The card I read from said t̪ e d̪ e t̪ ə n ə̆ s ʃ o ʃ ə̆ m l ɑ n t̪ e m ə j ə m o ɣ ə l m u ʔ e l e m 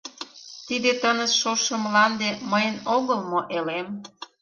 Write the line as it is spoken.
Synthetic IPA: t̪ i d̪ e t̪ ə n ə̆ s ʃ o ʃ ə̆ m l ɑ n d̪ e m ə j ə n o ɣ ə l m o ʔ e l e m